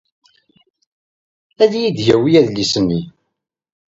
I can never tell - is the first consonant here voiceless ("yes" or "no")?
no